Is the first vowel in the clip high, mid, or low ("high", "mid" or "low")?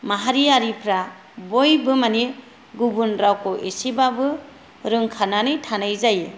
low